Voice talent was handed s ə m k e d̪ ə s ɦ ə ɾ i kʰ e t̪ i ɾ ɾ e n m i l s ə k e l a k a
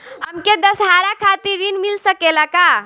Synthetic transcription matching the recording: h ə m k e d̪ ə s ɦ a ɾ a kʰ a t̪ i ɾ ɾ i n m i l s ə k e l a k a